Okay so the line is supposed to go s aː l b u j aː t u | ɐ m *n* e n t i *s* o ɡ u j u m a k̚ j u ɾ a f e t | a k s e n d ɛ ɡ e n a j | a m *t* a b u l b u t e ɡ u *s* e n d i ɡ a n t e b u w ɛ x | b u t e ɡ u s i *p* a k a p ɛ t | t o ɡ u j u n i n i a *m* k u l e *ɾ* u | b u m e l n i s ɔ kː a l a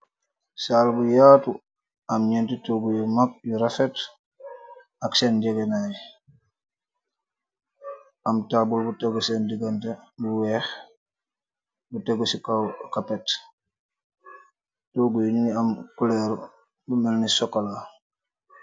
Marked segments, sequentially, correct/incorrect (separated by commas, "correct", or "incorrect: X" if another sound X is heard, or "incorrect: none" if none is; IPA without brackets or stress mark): incorrect: ɲ, incorrect: t, correct, correct, incorrect: k, correct, correct